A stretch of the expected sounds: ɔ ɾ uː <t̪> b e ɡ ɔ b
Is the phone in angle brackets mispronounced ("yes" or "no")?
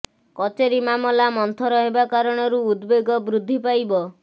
yes